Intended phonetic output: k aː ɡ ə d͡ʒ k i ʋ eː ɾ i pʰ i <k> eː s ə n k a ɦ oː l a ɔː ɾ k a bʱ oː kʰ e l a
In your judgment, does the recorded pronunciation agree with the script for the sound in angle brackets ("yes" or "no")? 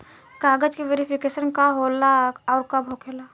yes